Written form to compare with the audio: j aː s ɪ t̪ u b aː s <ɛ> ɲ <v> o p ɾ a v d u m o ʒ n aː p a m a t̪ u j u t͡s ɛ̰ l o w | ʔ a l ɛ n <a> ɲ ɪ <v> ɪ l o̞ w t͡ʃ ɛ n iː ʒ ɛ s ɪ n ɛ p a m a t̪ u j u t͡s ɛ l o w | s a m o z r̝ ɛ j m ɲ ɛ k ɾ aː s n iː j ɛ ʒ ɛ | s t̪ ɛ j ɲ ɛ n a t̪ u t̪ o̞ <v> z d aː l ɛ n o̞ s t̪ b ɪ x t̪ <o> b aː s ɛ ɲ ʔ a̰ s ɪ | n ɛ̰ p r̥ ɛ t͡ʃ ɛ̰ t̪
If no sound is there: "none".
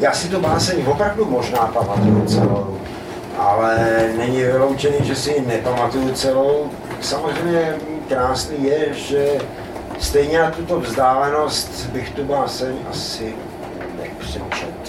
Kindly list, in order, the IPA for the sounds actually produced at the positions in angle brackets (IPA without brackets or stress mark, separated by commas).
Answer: ɛ, v, ɛ, v, v, u